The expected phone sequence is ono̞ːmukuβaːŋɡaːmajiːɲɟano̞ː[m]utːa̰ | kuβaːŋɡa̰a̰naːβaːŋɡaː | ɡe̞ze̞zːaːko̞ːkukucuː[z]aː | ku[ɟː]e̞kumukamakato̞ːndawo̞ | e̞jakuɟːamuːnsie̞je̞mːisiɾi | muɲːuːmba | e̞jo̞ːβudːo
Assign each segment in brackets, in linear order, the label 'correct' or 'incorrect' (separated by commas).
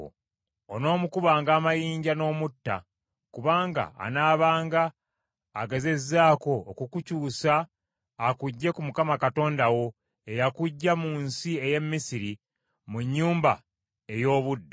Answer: correct, incorrect, correct